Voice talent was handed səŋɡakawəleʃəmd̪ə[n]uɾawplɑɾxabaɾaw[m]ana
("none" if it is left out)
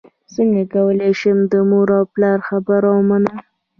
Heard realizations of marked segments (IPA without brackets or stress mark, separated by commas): m, m